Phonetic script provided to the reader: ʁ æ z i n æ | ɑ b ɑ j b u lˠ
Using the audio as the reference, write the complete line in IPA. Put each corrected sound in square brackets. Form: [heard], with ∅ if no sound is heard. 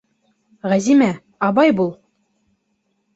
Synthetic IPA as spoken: ʁ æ z i [m] æ | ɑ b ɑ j b u lˠ